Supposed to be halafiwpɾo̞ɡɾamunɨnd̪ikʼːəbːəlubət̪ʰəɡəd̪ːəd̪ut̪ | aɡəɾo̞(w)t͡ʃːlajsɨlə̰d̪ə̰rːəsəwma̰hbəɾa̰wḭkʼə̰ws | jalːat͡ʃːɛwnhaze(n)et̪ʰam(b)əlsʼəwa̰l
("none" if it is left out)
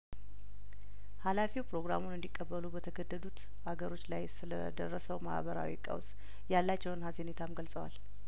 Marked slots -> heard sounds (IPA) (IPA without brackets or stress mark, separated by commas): none, n, ɡ